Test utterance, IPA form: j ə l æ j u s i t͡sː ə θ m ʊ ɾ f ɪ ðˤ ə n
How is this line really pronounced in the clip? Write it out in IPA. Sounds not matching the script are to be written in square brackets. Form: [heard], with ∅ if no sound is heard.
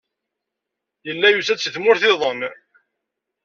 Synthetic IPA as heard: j ə [lː] æ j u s [æ] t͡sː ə θ m ʊ ɾ [θ] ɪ ðˤ ə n